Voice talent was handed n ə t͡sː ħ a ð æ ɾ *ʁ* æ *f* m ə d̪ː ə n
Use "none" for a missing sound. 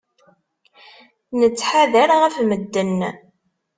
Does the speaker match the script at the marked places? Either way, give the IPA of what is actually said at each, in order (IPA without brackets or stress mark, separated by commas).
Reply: ʁ, f